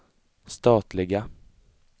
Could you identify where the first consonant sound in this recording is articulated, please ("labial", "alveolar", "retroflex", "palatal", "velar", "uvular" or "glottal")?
alveolar